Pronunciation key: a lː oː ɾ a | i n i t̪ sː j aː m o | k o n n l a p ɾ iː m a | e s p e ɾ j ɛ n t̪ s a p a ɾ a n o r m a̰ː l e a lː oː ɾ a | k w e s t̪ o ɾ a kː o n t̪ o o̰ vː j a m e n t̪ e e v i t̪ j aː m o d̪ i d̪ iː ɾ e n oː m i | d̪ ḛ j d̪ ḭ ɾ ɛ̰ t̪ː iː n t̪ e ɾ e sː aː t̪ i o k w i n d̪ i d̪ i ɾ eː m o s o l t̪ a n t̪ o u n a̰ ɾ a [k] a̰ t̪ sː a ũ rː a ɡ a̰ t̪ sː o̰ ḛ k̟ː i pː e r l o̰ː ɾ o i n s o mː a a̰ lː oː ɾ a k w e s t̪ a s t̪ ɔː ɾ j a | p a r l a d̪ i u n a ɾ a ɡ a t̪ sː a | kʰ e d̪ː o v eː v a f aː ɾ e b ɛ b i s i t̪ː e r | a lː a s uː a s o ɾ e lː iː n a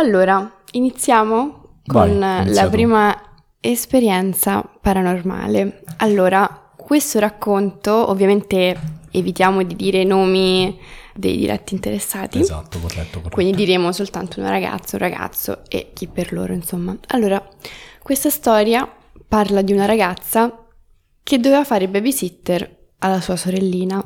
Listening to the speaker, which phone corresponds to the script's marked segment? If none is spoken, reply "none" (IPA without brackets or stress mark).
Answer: ɡ